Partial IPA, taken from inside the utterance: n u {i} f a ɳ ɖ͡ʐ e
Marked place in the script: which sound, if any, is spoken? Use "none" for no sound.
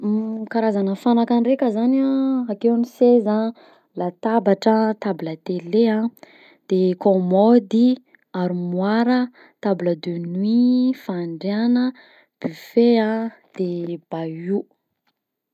i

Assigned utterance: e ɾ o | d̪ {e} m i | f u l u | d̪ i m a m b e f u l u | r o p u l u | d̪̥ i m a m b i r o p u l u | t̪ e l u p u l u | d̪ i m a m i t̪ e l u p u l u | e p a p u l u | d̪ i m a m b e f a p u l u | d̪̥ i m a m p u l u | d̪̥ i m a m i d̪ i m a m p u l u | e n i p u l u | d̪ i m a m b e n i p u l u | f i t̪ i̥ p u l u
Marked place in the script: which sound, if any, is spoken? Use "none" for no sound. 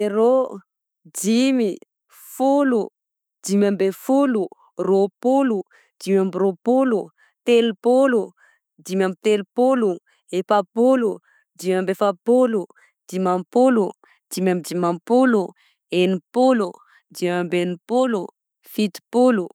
i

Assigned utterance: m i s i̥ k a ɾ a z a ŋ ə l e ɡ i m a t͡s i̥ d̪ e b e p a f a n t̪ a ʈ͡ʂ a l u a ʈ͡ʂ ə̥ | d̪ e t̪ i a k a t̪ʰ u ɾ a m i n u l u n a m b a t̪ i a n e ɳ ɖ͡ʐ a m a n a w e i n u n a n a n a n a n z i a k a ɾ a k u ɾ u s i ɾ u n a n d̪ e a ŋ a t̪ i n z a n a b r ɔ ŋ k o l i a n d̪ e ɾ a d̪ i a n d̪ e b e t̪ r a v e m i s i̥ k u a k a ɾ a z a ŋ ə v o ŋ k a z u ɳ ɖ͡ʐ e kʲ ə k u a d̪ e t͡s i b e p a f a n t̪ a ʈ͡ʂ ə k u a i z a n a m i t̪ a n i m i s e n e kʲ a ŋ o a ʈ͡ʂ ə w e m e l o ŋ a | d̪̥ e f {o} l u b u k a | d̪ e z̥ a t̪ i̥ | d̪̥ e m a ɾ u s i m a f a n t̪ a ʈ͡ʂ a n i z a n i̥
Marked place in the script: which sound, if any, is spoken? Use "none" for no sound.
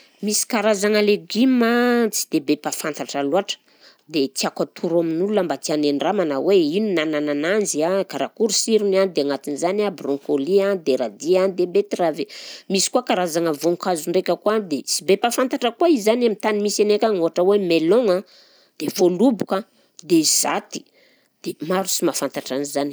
o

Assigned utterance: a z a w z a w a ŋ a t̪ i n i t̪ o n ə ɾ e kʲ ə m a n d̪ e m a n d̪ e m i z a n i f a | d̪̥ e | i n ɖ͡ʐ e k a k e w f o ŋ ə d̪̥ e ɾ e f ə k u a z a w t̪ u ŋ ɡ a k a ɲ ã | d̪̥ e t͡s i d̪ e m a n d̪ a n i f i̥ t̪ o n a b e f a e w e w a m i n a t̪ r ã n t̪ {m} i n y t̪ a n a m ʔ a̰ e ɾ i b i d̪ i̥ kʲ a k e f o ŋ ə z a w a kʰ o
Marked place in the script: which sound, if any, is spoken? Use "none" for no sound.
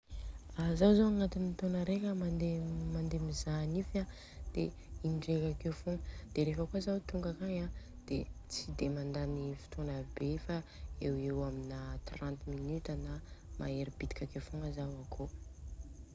m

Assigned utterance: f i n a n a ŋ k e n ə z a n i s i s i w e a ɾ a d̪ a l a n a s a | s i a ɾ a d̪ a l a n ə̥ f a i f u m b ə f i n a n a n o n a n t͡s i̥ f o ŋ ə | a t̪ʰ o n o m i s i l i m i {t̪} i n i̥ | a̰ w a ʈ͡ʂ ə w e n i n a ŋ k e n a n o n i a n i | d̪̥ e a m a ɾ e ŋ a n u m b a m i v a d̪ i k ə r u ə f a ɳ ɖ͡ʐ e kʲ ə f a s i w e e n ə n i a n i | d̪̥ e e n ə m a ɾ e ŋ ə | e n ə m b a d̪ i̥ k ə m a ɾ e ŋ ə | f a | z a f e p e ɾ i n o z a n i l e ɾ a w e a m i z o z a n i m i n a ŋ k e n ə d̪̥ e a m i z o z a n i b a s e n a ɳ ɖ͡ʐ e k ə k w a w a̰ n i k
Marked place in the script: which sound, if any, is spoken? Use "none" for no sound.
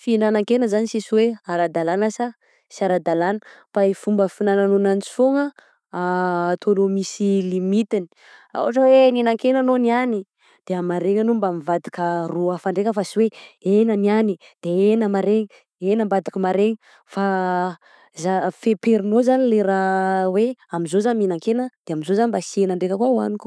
t̪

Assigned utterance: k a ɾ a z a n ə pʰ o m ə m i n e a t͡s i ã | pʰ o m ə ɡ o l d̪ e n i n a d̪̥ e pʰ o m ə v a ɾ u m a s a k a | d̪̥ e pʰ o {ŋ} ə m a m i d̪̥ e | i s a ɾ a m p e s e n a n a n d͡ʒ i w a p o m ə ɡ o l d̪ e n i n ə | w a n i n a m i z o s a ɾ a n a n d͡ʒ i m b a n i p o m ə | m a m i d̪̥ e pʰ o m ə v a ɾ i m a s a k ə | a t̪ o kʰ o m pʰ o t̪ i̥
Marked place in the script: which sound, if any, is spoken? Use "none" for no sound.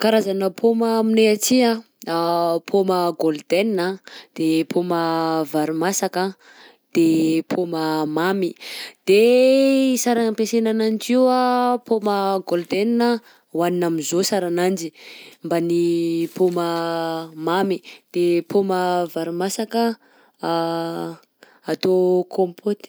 m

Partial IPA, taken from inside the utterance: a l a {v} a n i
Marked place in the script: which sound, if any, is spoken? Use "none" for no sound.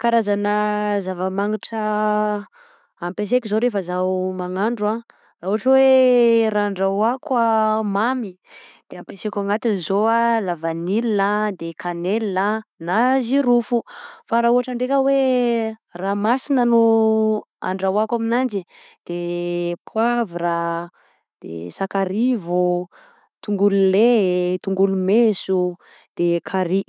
v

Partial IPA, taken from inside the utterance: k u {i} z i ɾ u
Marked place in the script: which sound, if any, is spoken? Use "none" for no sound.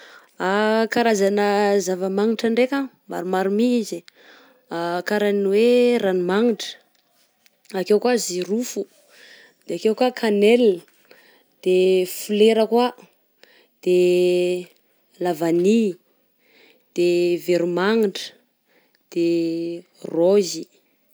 a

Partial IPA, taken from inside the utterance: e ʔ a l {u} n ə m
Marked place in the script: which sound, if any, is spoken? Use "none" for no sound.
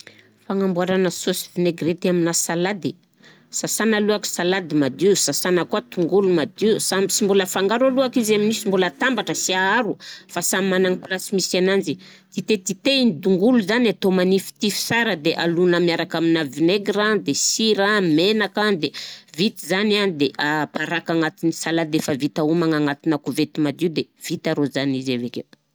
u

